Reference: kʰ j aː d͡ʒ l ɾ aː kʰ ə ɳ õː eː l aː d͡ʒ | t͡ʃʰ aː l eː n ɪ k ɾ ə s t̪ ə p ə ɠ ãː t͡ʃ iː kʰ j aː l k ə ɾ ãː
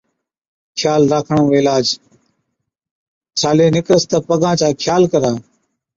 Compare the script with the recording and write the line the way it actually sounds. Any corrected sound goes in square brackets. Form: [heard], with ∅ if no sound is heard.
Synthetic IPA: kʰ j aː [∅] l ɾ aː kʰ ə ɳ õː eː l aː d͡ʒ | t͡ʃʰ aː l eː n ɪ k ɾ ə s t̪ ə p ə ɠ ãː t͡ʃ [aː] kʰ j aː l k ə ɾ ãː